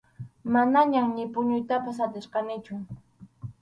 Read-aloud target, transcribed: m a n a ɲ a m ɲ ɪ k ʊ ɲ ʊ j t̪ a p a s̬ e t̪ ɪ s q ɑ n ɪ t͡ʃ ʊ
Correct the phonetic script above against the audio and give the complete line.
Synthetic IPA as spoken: m a n a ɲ a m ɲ ɪ p ʊ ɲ ʊ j t̪ a p a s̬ a t̪ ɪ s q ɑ n ɪ t͡ʃ ʊ